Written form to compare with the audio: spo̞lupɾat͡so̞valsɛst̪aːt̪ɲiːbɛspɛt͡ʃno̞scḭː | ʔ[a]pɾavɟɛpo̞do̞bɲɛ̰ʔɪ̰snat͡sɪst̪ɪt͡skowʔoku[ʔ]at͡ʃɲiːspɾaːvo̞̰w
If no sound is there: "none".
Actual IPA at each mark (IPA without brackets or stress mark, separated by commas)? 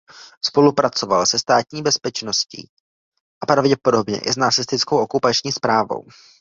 a, p